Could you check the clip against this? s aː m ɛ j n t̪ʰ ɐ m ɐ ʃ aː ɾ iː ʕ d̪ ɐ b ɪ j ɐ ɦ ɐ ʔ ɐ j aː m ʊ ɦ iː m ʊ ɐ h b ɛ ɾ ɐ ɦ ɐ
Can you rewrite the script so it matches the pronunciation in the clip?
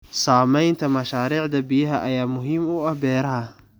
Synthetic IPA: s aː m ɛ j n t̪ʰ ɐ m ɐ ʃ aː ɾ iː ʕ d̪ ɐ b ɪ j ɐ ɦ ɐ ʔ ɐ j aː m ʊ ɦ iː m ʊ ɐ h b ɛː ɾ ɐ ɦ ɐ